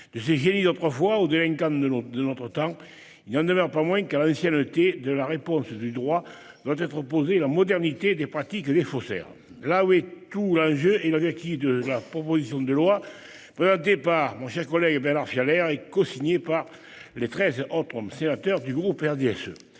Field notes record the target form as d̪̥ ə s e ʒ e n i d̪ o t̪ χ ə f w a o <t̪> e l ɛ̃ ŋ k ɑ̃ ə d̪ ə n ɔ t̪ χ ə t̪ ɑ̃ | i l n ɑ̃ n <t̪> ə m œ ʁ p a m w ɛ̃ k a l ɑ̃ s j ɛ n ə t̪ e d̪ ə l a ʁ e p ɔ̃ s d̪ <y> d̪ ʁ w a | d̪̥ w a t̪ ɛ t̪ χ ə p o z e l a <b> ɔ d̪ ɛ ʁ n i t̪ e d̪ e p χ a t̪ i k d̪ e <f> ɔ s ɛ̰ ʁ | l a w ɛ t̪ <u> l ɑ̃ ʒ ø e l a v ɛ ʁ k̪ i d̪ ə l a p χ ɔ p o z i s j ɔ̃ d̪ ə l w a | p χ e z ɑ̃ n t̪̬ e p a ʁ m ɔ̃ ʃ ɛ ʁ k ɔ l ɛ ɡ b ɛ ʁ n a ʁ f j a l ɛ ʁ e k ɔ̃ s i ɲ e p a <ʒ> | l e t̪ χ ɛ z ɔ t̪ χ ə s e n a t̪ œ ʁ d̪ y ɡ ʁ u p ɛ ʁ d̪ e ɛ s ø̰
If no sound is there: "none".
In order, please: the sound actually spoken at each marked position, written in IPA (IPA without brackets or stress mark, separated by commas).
d̪, d̪, y, m, f, u, ʁ